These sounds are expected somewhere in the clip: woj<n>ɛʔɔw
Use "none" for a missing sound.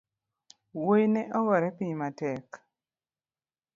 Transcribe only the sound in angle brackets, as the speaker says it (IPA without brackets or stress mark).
n